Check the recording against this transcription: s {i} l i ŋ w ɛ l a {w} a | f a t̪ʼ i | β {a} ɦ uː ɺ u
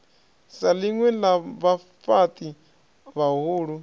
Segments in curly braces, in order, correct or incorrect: incorrect: a, incorrect: β, correct

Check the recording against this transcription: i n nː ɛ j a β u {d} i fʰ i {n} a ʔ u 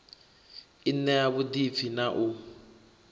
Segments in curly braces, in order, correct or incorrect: correct, correct

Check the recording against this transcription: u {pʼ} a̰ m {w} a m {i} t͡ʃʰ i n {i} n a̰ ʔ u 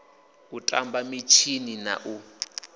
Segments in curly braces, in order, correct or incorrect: incorrect: tʼ, incorrect: b, correct, correct

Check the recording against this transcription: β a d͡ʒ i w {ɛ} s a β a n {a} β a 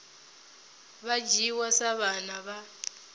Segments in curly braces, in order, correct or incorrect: incorrect: a, correct

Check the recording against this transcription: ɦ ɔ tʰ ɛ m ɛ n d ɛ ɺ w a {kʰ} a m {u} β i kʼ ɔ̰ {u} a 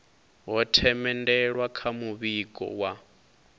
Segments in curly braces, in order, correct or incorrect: correct, correct, incorrect: w

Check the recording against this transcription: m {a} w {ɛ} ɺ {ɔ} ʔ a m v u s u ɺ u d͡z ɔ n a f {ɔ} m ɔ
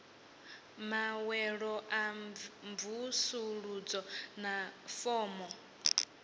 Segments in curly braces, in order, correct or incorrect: correct, correct, correct, incorrect: ɔː

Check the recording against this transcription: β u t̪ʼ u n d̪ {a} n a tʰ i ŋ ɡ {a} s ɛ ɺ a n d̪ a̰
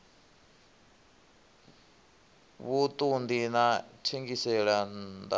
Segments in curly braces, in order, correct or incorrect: incorrect: i, incorrect: i

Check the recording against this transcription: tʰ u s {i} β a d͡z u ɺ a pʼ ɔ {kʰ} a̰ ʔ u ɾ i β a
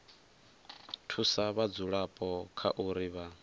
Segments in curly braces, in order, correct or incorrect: incorrect: a, correct

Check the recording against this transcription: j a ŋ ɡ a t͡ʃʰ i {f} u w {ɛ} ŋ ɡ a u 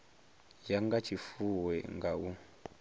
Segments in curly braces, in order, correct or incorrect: correct, correct

